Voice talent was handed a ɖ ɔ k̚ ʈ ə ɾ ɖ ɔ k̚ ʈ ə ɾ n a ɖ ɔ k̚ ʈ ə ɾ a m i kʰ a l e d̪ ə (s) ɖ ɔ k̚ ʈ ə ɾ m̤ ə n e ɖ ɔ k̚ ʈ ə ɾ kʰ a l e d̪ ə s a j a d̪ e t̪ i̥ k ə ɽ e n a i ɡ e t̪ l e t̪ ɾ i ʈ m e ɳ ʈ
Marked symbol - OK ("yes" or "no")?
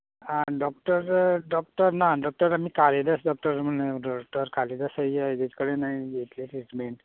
yes